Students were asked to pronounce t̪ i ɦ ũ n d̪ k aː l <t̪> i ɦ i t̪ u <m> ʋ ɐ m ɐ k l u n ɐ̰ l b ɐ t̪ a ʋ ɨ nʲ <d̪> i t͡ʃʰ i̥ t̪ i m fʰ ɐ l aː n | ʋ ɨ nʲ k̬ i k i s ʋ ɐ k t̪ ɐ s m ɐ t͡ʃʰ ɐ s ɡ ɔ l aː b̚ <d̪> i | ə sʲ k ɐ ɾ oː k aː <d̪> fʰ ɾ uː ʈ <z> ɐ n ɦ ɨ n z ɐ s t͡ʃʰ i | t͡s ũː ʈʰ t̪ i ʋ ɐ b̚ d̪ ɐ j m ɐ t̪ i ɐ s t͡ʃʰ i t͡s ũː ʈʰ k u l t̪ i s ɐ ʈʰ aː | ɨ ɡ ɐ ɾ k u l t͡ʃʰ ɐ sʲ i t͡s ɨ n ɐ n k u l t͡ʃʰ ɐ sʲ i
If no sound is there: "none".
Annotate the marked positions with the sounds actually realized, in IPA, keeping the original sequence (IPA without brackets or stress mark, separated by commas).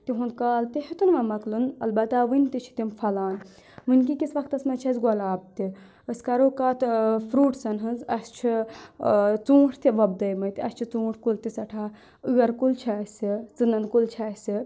t̪, n, t̪, t̪, t̪, s